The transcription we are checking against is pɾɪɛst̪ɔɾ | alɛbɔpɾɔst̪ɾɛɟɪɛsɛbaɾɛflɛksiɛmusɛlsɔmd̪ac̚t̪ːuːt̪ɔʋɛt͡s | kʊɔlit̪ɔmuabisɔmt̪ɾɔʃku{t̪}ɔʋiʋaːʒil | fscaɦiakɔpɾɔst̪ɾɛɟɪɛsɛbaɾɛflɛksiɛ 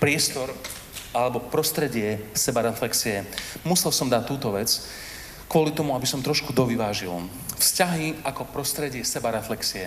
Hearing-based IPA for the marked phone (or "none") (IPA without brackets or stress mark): d̪